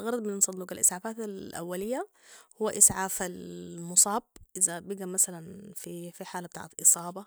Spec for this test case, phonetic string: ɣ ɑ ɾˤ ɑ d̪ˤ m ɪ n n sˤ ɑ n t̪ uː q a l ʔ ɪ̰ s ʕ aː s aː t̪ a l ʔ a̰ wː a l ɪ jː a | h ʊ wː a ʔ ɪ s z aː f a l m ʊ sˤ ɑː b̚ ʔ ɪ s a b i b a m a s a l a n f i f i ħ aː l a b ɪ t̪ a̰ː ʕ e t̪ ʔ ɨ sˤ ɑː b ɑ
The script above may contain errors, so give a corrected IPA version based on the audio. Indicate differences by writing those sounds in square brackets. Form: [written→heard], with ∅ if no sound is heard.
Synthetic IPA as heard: ɣ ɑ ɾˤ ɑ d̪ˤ m ɪ n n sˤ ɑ n [t̪→d̪] uː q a l ʔ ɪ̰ s ʕ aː [s→f] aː t̪ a l ʔ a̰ wː a l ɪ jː a | h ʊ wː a ʔ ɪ s [z→ʕ] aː f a l m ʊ sˤ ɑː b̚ ʔ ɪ [s→z] a b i [b→ɡ] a m a s a l a n f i f i ħ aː l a b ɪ t̪ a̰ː ʕ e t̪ ʔ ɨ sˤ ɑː b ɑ